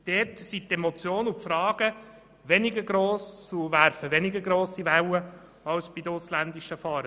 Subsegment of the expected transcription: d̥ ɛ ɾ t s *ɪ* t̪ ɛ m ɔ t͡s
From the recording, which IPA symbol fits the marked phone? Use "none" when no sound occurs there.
i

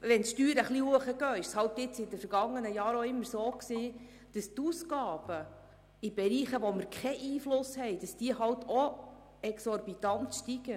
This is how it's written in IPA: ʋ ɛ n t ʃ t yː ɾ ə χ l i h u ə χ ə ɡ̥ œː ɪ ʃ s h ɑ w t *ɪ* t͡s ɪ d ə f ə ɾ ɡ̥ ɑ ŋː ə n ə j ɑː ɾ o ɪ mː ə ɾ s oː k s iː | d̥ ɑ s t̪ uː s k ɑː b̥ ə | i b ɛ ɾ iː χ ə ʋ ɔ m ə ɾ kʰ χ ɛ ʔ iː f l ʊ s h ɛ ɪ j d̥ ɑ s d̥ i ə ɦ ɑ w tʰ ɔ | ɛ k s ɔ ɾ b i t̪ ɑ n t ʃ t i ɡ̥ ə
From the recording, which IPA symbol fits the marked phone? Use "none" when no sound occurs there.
ɪ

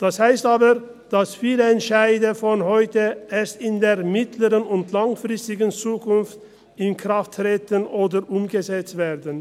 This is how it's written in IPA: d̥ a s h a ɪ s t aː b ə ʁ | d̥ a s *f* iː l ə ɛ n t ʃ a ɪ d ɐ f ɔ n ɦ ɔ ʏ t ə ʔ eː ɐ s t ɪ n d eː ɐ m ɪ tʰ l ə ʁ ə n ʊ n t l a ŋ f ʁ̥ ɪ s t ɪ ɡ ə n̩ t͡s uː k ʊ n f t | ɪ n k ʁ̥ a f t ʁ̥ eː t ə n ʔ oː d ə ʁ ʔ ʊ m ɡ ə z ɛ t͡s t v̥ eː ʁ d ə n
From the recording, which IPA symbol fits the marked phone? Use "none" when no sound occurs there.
f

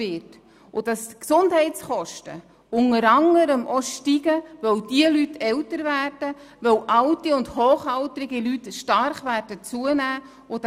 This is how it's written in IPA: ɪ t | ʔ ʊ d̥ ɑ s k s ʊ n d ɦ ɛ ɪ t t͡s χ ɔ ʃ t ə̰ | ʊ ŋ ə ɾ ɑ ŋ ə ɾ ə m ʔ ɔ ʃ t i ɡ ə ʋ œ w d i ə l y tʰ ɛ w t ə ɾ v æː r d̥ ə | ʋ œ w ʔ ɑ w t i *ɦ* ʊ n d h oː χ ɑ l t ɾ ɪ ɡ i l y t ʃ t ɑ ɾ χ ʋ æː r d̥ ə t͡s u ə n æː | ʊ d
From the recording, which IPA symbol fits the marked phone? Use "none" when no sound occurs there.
none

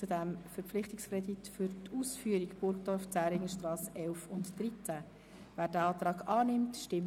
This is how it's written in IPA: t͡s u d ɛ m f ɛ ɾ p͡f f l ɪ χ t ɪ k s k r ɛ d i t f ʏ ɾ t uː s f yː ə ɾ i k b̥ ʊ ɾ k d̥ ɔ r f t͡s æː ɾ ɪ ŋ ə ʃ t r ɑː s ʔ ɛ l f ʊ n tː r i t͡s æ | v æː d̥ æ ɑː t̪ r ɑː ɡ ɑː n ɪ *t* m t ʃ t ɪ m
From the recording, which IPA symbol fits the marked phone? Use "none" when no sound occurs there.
none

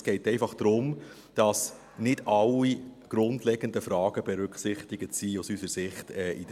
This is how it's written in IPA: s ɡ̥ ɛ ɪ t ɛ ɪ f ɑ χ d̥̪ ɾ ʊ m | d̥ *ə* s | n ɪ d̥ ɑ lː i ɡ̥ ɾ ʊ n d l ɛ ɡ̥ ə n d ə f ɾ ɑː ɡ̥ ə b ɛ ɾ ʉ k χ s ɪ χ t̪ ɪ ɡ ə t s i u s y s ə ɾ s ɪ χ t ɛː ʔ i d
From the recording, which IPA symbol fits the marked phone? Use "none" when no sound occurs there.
ɑ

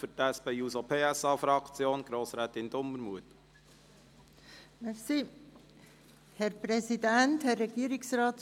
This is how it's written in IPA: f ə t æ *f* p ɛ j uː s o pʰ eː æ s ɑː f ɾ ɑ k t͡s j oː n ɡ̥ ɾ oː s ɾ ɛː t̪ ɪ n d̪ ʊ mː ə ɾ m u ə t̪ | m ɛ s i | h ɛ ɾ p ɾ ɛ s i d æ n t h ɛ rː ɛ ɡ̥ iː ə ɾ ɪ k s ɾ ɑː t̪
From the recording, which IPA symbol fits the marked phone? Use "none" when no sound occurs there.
s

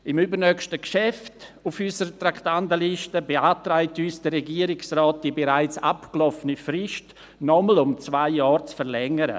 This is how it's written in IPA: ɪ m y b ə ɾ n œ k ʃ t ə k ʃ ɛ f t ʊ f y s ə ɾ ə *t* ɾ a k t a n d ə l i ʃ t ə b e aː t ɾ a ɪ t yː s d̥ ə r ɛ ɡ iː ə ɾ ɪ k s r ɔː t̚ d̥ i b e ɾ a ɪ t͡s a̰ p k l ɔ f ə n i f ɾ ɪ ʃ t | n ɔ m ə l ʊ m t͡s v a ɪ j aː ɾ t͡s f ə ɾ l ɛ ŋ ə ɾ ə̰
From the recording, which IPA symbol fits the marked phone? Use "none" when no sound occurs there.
t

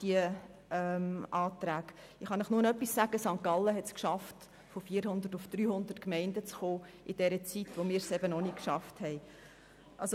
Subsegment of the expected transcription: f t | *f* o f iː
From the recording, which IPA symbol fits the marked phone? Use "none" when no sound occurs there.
f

